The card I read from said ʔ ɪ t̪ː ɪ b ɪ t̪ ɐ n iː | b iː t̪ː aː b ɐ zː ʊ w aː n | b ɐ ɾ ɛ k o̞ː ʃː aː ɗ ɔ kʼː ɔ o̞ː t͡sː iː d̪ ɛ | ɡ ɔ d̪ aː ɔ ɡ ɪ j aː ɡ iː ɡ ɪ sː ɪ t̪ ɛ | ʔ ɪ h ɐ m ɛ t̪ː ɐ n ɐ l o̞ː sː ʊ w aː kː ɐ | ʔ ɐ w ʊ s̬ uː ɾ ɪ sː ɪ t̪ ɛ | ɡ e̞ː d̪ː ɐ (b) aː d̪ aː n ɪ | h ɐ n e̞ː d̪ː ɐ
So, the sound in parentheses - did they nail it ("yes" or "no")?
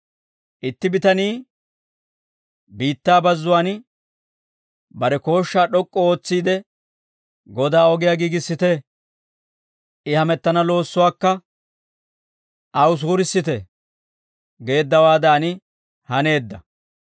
no